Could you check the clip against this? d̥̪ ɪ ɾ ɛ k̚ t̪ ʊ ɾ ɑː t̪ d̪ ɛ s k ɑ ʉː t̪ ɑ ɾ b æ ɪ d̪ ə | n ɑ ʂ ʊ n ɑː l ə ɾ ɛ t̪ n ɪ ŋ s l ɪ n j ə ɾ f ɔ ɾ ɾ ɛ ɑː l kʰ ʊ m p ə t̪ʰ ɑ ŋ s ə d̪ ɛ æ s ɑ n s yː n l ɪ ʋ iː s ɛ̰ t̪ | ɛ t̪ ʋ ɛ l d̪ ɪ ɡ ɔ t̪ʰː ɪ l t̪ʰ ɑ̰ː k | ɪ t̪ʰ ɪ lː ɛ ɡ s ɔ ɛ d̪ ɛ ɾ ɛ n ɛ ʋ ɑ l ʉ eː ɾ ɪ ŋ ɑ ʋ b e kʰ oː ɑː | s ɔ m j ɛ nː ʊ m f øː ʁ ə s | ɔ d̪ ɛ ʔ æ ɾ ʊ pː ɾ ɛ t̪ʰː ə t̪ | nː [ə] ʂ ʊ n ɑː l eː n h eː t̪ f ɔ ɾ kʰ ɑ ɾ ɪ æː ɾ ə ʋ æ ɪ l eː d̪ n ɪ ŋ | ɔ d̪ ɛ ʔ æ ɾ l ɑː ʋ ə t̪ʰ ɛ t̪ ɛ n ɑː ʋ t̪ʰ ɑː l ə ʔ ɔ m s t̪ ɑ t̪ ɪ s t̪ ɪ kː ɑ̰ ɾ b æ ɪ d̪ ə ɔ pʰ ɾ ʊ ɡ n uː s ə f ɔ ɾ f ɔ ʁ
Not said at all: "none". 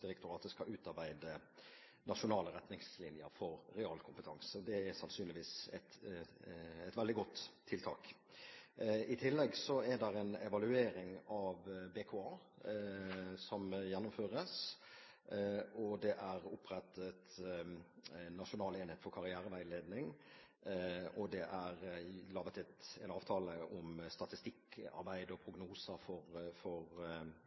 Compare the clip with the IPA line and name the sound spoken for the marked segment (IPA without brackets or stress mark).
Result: ɑ